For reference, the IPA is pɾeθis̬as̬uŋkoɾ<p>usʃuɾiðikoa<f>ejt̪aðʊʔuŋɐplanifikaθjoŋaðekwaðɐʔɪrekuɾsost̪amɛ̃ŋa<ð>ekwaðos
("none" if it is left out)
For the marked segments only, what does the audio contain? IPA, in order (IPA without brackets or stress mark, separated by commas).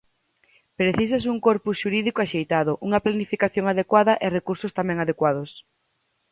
p, ʃ, ð